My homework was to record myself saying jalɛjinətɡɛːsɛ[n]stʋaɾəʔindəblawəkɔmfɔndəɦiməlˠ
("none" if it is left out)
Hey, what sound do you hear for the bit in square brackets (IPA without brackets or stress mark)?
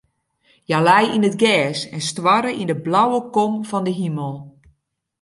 n